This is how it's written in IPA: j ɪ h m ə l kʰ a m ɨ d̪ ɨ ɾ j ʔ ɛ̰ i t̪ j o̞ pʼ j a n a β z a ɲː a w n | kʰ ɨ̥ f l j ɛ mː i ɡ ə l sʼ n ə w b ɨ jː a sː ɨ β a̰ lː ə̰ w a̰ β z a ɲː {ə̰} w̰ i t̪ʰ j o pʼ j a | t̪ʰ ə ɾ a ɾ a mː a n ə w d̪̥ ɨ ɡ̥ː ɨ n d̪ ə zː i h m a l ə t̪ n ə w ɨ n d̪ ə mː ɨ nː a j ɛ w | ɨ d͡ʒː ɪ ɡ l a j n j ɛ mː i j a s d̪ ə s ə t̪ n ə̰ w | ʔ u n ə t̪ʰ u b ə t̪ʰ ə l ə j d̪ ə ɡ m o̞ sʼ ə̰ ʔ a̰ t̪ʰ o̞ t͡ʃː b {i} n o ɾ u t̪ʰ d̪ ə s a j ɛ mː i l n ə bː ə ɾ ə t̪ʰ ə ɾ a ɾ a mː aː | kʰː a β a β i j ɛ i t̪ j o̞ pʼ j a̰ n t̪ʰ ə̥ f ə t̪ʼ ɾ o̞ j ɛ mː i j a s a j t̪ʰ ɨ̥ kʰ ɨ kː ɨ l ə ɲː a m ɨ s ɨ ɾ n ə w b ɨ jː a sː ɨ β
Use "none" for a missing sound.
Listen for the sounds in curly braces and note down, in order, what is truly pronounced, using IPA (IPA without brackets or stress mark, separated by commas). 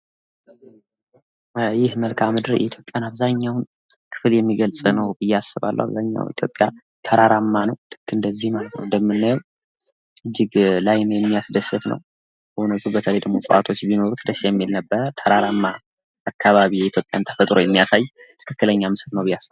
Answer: a̰, i